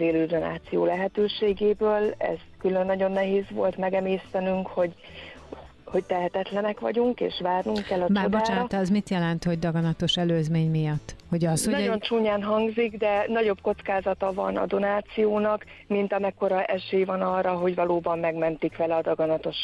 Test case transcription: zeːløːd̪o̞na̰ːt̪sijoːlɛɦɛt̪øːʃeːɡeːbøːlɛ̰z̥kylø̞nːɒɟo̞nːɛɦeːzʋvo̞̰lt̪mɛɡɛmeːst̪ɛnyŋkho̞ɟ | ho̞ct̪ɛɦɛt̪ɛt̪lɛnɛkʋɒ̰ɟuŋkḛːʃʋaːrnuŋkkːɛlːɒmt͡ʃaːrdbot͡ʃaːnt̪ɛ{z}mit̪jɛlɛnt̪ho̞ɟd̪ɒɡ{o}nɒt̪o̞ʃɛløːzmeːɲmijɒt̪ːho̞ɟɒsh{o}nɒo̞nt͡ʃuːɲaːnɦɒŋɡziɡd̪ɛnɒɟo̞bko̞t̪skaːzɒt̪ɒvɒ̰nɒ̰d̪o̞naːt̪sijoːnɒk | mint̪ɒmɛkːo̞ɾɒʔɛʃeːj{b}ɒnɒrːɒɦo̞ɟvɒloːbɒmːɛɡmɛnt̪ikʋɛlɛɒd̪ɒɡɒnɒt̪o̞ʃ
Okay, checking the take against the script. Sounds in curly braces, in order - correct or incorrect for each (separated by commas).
correct, incorrect, correct, incorrect